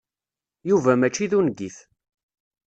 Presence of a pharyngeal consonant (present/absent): absent